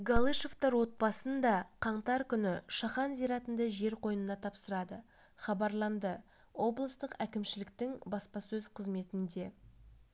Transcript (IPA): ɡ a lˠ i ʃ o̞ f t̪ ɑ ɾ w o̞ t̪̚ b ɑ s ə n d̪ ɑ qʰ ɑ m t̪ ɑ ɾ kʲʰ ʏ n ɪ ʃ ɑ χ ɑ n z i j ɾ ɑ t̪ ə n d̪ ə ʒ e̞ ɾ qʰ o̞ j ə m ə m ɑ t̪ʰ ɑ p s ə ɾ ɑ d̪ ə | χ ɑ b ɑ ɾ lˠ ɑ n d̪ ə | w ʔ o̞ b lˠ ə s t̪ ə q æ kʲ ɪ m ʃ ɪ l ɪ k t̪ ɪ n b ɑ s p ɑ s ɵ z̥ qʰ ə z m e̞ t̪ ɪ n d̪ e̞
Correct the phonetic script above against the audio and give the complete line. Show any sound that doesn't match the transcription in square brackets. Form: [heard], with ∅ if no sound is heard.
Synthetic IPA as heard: ɡ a lˠ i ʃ o̞ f t̪ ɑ ɾ w o̞ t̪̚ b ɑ s ə n d̪ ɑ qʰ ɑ [ɴ] t̪ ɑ ɾ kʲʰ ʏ n ɪ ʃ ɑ χ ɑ n z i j ɾ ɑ t̪ ə n d̪ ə ʒ e̞ ɾ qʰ o̞ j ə [n] ə [n] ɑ t̪ʰ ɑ p s ə ɾ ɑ d̪ ə | χ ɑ b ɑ ɾ lˠ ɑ n d̪ ə | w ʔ o̞ b lˠ ə s t̪ ə q æ kʲ ɪ m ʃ ɪ l ɪ k t̪ ɪ [ŋ] b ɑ s p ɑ s ɵ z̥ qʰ ə z m e̞ t̪ ɪ n d̪ e̞